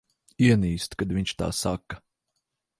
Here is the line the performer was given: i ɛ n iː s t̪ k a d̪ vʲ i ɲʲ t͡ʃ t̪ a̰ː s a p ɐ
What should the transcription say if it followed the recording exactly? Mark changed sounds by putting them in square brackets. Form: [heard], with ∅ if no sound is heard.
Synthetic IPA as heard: i ɛ n iː s t̪ k a d̪ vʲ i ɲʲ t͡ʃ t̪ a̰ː s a [k] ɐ